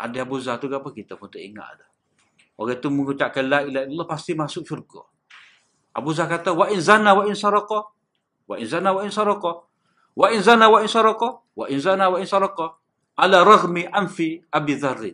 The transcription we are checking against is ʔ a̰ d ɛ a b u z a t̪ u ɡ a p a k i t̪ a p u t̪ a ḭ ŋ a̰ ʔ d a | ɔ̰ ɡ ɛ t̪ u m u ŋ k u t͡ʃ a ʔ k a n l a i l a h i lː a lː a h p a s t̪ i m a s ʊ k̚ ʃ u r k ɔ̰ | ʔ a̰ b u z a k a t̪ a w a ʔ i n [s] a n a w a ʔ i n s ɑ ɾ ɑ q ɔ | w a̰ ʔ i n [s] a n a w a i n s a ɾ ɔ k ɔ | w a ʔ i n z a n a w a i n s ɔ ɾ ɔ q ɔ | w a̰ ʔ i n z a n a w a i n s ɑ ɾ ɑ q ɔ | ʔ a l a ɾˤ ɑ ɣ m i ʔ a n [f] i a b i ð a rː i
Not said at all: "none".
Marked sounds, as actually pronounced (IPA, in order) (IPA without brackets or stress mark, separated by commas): z, z, f